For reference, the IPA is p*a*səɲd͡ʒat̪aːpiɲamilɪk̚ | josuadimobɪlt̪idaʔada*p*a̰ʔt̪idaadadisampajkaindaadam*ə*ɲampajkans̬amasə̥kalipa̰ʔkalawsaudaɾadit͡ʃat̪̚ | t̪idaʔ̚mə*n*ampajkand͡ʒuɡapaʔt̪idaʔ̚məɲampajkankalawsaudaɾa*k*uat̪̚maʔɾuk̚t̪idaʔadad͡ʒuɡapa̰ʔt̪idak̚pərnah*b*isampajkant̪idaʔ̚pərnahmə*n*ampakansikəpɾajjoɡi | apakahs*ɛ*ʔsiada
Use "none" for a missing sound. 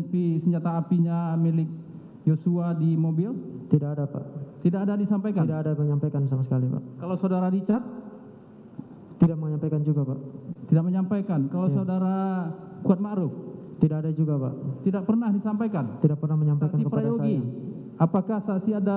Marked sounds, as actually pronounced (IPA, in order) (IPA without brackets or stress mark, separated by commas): i, p, ə, ɲ, k, d, ɲ, a